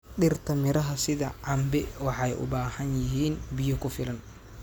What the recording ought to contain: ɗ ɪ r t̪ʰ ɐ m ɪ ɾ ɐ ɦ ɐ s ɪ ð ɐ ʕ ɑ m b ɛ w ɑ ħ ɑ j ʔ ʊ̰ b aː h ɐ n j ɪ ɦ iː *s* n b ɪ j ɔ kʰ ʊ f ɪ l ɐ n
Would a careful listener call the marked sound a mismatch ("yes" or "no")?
yes